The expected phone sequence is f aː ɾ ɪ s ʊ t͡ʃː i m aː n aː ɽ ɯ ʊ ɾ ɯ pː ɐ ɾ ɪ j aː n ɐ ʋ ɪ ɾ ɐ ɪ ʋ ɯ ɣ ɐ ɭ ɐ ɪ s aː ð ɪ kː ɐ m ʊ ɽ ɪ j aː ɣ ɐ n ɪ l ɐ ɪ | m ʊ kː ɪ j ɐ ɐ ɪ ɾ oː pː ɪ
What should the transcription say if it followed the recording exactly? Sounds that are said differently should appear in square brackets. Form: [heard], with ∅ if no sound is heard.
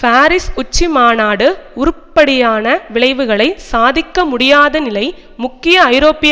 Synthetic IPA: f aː ɾ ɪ s ʊ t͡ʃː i m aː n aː ɽ ɯ ʊ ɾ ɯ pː ɐ [ɽ] ɪ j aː n ɐ ʋ ɪ [ɭ] ɐ ɪ ʋ ɯ ɣ ɐ ɭ ɐ ɪ s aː ð ɪ kː ɐ m ʊ ɽ ɪ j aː [ð] ɐ n ɪ l ɐ ɪ | m ʊ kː ɪ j ɐ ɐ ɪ ɾ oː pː ɪ